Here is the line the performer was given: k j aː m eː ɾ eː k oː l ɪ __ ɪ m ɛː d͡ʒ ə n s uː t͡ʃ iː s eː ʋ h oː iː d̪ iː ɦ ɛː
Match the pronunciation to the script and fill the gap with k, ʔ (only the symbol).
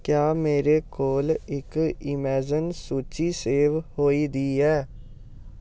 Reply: k